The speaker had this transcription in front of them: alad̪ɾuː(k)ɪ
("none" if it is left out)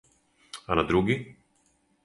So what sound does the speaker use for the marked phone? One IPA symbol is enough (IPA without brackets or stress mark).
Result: ɡ